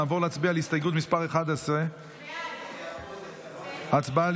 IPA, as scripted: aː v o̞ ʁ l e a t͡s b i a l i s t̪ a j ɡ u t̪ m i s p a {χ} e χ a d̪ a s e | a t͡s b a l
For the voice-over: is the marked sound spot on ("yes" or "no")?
no